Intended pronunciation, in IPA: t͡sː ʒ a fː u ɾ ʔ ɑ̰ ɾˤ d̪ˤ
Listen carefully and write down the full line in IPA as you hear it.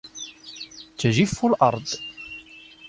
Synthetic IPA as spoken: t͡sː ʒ i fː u l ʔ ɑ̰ ɾˤ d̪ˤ